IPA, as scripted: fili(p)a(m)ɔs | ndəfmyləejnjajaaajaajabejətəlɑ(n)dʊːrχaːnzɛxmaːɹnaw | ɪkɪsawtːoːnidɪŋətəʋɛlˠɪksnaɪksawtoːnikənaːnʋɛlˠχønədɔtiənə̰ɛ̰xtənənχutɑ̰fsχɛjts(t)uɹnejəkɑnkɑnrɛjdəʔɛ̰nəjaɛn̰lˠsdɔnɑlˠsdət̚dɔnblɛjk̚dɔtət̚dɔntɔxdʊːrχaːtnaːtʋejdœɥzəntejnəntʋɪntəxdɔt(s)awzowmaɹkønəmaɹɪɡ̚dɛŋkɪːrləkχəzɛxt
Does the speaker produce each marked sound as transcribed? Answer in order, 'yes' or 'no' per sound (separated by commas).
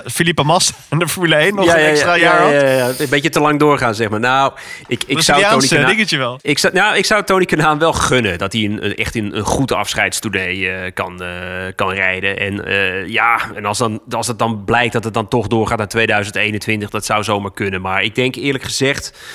yes, yes, no, yes, yes